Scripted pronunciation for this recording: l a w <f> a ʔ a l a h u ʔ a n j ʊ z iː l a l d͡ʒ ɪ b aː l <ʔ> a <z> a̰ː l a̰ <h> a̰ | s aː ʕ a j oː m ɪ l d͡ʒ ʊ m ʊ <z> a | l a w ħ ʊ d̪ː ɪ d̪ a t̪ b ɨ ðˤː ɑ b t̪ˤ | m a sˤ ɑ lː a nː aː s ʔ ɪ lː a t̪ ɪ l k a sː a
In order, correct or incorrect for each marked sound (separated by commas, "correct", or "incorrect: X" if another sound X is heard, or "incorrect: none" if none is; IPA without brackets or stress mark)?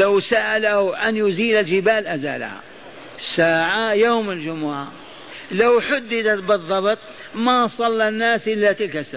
incorrect: s, correct, correct, correct, incorrect: ʕ